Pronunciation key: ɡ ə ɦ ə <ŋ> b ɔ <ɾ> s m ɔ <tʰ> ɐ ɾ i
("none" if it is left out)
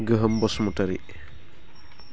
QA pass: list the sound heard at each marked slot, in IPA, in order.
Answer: m, none, t

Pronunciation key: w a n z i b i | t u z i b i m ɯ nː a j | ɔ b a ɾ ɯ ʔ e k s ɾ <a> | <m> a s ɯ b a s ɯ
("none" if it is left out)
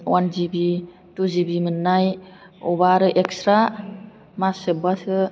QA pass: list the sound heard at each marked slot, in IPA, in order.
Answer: a, m

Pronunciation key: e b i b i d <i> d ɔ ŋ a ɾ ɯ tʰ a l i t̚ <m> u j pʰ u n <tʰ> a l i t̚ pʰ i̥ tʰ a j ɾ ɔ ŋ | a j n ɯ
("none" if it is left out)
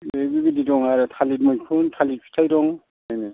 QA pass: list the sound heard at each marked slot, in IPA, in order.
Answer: i, m, tʰ

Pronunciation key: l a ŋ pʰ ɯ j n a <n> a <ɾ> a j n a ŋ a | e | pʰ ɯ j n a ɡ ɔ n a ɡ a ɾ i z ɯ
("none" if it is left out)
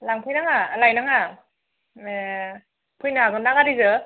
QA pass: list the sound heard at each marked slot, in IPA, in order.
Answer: ŋ, l

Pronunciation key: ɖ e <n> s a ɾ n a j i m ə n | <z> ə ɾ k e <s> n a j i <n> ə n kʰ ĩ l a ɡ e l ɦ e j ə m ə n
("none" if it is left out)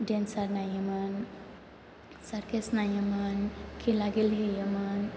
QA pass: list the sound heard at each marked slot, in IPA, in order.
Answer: n, s, s, m

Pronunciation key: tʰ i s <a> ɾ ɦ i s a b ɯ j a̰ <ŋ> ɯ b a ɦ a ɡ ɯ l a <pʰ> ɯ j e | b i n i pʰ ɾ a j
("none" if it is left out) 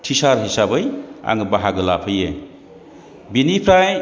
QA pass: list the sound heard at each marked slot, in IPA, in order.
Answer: a, ŋ, pʰ

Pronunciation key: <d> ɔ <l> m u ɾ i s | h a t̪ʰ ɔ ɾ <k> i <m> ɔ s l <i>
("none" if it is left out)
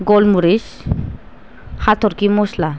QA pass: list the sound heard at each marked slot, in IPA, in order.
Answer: ɡ, l, k, m, a

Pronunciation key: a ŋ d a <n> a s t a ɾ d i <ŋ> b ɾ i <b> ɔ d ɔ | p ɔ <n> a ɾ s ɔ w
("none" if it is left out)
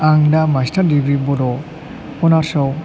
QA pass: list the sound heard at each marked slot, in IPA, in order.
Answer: m, none, b, n

